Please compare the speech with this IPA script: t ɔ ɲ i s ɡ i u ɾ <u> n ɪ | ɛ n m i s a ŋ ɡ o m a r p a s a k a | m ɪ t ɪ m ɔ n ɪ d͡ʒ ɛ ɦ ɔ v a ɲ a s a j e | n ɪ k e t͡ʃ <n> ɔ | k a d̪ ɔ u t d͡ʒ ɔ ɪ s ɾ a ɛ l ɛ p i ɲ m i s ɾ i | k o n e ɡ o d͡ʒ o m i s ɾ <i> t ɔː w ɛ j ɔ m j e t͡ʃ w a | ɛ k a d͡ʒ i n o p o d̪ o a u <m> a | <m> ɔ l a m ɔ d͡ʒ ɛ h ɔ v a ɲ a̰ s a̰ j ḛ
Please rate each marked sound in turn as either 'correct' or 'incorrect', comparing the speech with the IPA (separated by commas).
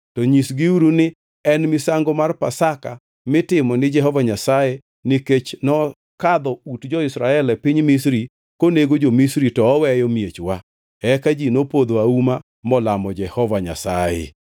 correct, correct, correct, correct, correct